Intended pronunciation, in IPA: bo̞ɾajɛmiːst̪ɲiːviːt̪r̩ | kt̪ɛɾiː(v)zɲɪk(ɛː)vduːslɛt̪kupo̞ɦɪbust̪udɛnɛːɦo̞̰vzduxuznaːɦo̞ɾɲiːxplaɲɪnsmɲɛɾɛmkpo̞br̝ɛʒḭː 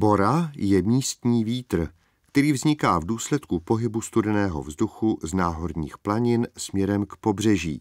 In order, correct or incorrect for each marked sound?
correct, incorrect

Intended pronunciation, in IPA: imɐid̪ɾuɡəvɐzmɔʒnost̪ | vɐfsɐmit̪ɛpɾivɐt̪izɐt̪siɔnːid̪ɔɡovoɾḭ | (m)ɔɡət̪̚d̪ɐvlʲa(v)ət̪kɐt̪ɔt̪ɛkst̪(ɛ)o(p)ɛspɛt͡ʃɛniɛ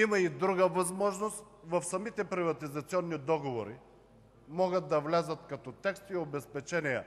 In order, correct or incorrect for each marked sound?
correct, incorrect, incorrect, incorrect

